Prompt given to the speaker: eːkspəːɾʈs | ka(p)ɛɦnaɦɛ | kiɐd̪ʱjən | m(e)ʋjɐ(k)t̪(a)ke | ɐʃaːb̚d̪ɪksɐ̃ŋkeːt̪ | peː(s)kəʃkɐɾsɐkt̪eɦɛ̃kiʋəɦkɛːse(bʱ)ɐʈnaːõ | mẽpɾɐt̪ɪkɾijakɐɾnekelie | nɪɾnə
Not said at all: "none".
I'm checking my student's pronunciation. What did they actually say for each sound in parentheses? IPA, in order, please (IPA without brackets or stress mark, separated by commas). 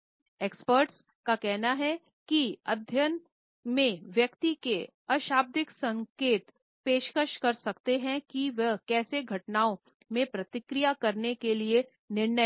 k, ẽ, k, i, ʃ, ɡʱ